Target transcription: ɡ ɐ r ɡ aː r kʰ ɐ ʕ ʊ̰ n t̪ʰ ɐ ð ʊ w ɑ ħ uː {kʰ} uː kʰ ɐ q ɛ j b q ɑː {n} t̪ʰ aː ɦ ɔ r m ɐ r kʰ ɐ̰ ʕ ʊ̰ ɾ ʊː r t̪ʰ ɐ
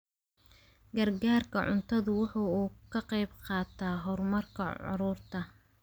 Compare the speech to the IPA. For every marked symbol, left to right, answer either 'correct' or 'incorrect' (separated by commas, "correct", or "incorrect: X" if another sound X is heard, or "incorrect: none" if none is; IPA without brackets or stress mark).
incorrect: none, incorrect: none